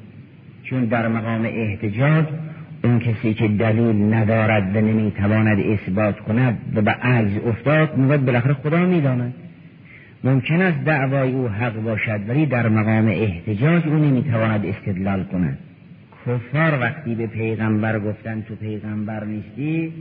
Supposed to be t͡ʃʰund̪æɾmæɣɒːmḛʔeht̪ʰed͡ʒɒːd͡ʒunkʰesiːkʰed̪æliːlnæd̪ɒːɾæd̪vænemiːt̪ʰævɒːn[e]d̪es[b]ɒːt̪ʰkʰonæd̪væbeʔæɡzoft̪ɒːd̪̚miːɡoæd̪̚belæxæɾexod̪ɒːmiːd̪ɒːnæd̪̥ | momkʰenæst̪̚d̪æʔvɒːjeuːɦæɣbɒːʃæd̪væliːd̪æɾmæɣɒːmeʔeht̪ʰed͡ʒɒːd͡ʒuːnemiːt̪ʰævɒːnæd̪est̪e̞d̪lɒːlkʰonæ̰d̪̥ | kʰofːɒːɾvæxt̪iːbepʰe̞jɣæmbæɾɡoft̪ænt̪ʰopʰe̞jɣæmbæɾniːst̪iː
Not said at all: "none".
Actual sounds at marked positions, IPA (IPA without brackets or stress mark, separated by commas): æ, b